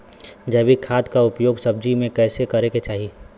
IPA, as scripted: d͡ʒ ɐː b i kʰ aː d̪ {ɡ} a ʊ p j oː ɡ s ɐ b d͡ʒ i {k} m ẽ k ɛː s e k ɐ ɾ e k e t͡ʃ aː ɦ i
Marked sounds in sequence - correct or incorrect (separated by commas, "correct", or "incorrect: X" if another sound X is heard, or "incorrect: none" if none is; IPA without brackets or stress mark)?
incorrect: k, incorrect: none